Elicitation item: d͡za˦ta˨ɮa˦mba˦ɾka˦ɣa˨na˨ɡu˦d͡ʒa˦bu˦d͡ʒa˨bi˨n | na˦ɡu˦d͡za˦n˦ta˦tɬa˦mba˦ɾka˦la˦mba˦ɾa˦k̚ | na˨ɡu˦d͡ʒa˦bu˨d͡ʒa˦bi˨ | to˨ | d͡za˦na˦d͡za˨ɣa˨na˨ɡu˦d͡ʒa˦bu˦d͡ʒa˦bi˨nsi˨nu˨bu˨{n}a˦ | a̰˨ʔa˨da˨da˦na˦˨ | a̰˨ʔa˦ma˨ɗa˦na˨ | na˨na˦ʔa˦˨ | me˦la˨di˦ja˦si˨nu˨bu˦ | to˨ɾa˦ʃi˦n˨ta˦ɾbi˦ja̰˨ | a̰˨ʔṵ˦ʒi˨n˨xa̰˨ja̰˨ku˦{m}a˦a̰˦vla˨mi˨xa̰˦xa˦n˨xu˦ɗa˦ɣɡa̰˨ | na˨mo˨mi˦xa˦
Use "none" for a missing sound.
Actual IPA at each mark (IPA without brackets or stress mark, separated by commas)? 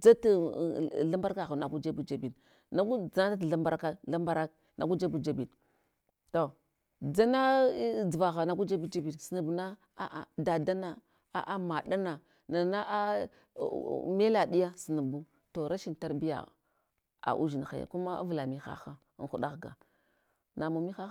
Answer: n, m